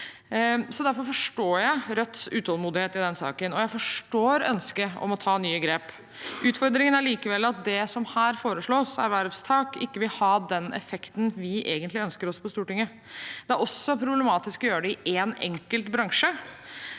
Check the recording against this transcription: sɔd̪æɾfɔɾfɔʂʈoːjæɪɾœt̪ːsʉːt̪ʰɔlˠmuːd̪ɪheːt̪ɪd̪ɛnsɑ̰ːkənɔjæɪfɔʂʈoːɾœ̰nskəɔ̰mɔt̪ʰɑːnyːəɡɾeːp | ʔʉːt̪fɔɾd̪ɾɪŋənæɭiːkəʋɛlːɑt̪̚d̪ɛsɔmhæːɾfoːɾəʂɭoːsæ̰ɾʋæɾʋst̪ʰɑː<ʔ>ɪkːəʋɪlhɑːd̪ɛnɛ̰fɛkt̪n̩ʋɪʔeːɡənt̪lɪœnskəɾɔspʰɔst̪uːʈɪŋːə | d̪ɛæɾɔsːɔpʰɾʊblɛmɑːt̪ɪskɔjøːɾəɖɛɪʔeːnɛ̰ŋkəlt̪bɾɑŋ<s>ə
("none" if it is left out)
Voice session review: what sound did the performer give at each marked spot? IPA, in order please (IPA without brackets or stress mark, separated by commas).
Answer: k, ʂ